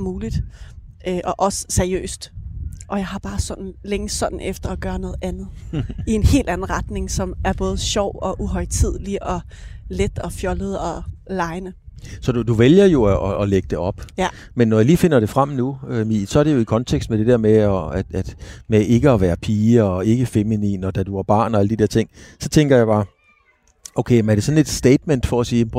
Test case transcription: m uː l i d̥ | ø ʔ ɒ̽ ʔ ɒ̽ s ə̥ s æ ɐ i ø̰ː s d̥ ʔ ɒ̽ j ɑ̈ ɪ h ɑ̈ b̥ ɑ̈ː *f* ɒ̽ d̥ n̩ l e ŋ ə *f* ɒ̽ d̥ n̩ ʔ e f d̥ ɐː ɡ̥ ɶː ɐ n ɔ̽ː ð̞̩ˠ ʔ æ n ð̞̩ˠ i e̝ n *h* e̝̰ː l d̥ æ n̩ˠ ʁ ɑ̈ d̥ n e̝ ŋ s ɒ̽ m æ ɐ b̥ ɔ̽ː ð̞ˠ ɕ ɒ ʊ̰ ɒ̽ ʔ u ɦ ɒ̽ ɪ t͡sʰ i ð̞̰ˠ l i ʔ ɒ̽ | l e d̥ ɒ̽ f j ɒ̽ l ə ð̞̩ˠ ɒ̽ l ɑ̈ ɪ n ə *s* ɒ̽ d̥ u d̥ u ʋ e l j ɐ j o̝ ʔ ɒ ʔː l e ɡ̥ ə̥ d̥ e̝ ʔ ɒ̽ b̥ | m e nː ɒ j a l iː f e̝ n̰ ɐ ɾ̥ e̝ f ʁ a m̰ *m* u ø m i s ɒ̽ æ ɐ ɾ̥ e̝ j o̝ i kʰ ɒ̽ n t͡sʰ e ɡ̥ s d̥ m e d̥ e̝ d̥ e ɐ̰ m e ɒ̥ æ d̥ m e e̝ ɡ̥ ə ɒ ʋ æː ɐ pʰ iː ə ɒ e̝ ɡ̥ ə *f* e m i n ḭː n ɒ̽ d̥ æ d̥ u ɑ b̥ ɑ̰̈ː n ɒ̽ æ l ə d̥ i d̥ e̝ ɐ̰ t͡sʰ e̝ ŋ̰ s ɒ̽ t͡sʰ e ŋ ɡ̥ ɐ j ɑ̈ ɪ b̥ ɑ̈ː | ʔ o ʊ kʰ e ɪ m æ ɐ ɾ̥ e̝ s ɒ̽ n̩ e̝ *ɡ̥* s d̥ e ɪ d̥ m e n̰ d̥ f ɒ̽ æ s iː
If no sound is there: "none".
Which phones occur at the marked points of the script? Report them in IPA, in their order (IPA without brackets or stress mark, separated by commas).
s, s, h, s, n, f, d̥